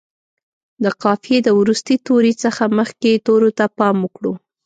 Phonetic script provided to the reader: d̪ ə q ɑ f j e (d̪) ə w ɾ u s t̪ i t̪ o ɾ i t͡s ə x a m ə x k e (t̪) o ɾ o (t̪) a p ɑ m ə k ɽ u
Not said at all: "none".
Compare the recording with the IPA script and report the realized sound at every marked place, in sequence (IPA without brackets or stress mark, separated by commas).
d̪, t̪, t̪